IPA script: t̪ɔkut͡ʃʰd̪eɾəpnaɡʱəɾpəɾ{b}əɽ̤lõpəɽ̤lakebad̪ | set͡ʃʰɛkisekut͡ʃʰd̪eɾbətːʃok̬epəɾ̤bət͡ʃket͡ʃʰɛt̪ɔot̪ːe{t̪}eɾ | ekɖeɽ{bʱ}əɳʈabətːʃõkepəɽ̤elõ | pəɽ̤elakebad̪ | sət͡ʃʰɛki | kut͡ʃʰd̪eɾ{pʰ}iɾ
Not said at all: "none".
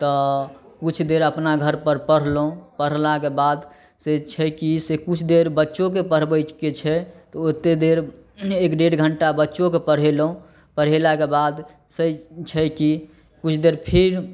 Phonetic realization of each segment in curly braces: p, d̪, ɡʱ, pʰ

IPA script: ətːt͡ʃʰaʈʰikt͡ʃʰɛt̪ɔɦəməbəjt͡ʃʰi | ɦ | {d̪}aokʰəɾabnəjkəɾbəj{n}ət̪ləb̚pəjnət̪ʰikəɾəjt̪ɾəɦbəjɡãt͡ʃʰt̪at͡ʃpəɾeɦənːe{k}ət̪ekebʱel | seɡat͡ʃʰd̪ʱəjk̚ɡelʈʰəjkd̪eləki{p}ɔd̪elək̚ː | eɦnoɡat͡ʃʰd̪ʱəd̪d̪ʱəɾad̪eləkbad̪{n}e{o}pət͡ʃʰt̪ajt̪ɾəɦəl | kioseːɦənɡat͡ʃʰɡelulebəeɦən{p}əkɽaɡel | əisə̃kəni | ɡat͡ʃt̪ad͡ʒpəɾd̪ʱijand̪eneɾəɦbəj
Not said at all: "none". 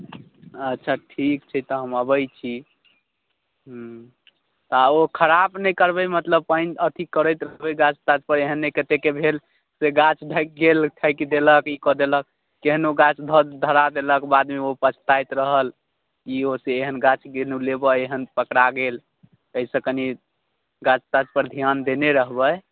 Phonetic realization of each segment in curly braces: t̪, m, k, k, m, o, p

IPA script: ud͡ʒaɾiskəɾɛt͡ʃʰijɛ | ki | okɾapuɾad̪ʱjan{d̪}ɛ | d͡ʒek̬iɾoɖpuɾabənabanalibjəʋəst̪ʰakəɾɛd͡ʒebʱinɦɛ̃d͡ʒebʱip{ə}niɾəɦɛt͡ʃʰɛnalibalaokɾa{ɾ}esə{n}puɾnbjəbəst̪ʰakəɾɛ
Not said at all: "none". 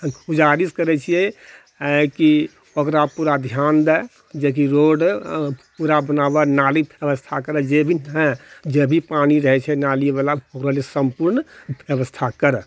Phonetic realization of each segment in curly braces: d̪, a, l, m

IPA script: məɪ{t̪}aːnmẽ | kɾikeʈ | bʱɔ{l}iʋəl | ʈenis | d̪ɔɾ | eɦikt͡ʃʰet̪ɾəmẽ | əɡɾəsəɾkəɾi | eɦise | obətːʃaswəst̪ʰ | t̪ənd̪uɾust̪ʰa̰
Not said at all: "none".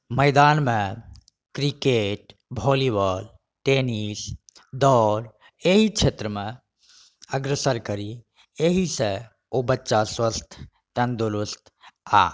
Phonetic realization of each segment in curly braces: d̪, l

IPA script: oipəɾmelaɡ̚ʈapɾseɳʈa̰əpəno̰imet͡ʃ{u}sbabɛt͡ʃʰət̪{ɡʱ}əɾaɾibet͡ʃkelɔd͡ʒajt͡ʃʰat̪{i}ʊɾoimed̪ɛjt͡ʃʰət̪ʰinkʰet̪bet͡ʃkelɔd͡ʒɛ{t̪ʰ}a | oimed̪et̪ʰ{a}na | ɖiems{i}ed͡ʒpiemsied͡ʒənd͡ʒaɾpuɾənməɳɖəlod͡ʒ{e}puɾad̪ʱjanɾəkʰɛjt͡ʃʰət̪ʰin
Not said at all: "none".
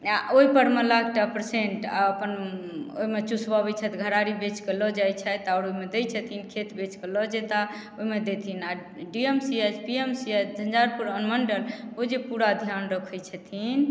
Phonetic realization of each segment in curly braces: u, ɡʱ, a, t̪, i, i, e

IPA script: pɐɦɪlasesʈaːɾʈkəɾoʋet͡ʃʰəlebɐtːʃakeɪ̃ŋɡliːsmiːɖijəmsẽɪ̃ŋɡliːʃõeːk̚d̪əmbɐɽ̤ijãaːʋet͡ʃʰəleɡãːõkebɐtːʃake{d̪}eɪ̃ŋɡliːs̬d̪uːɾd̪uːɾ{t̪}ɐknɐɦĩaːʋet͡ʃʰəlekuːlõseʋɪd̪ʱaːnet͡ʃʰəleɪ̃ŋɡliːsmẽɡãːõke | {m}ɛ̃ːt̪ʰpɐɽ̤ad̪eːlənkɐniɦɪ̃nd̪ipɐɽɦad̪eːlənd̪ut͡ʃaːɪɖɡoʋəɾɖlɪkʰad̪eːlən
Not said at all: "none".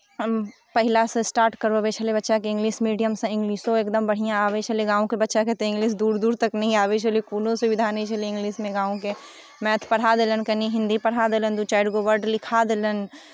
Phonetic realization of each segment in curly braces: t̪, t̪, m

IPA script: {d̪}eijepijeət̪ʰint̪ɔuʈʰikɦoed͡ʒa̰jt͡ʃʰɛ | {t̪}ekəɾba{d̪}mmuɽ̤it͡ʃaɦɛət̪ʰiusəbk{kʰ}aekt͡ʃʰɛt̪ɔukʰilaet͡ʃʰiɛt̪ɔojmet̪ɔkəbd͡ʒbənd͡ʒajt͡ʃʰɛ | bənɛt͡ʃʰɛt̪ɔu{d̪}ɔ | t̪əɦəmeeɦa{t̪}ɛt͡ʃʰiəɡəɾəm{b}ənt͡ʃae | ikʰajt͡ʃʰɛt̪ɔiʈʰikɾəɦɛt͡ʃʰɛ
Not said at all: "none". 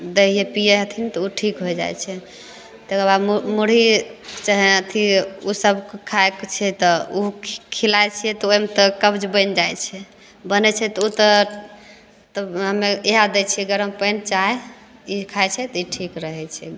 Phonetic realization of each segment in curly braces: d̪, t̪, d̪, kʰ, t̪, d̪, p

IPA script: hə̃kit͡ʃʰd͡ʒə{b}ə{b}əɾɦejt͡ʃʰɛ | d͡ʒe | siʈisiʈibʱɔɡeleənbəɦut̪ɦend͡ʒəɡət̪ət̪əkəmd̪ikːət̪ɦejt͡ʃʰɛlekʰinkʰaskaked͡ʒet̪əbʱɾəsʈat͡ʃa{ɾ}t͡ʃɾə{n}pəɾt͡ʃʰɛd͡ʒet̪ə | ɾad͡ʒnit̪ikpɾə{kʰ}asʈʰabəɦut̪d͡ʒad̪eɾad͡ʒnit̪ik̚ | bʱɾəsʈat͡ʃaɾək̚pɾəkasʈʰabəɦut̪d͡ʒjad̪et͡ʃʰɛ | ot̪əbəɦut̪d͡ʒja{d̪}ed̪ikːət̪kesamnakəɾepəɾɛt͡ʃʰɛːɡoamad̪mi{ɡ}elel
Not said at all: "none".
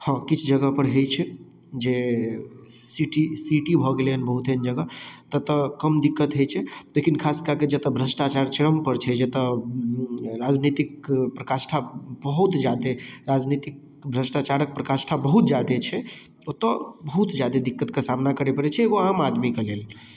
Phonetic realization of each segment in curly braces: ɡ, p, ɾ, m, k, d̪, k

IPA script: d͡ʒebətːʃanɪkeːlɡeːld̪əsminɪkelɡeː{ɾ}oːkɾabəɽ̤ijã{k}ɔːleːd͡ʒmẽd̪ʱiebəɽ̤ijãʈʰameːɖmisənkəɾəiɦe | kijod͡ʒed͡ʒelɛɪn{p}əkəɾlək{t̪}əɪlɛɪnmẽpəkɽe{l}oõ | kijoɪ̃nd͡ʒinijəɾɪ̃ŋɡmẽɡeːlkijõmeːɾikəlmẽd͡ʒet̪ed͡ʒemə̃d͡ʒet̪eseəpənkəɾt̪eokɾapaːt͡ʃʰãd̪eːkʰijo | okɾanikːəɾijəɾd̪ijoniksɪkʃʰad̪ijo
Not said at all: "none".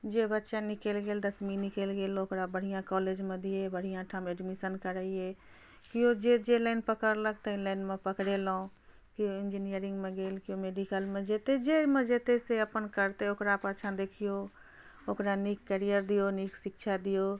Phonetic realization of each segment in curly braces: l, k, p, t̪, l

